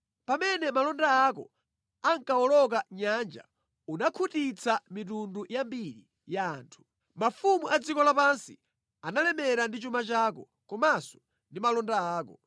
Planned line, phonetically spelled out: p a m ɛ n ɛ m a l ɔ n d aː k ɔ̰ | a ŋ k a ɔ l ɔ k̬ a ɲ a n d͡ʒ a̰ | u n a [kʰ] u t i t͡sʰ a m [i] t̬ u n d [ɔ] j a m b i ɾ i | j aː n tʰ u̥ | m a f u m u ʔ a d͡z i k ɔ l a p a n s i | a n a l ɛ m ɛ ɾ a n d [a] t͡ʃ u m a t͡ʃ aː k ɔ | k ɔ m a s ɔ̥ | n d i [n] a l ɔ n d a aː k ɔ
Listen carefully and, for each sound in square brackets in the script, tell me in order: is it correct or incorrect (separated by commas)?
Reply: correct, correct, incorrect, incorrect, incorrect